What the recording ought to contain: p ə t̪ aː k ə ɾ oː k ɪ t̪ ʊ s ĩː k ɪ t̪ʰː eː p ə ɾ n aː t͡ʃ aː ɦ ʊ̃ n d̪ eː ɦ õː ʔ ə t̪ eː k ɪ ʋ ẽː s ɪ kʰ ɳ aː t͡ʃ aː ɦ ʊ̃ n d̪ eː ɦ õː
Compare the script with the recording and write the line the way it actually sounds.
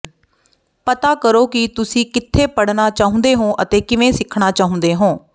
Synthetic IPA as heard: p ə t̪ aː k ə ɾ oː k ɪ t̪ ʊ s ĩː k ɪ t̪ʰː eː p ə ɽ n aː t͡ʃ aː ɦ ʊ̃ n d̪ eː ɦ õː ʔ ə t̪ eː k ɪ ʋ ẽː s ɪ kʰ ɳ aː t͡ʃ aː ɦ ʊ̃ n d̪ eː ɦ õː